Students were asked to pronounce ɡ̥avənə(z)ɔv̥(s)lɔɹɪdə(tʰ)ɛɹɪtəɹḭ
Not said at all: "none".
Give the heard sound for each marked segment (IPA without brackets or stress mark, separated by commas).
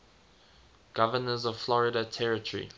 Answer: z, f, tʰ